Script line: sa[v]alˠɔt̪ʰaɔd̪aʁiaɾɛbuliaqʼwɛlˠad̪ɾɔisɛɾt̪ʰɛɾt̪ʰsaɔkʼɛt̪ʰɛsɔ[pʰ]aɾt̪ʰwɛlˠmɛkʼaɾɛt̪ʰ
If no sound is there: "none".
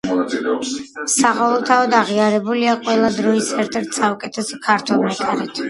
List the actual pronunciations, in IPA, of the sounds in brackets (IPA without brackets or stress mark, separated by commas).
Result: ʁ, kʰ